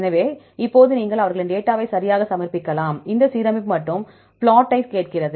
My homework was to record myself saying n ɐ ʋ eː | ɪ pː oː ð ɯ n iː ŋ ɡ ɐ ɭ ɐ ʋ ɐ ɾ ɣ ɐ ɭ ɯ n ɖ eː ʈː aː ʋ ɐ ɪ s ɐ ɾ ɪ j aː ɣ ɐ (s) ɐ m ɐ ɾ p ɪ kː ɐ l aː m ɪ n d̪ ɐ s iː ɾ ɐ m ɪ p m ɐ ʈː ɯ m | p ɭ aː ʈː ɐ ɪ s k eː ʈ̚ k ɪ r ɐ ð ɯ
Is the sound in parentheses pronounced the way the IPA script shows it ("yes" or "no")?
yes